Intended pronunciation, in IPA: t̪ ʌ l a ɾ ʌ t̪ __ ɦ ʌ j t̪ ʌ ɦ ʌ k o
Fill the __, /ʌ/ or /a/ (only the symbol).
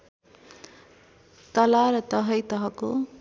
ʌ